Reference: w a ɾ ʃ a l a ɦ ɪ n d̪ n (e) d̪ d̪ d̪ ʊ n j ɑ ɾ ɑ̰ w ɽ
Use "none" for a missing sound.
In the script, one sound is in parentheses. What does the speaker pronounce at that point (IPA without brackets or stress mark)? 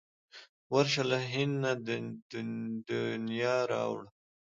a